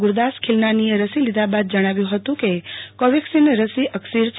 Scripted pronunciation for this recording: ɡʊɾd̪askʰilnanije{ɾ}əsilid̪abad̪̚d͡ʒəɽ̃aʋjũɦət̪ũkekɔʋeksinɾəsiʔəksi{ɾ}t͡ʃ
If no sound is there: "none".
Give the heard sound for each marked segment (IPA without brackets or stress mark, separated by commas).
ɾ, ɾ